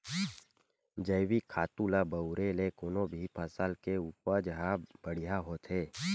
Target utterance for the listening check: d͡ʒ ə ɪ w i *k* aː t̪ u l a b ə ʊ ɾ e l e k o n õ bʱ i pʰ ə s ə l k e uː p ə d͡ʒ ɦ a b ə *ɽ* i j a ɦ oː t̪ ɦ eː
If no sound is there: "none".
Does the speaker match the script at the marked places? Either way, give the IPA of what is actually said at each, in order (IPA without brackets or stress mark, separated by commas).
kʰ, ɽ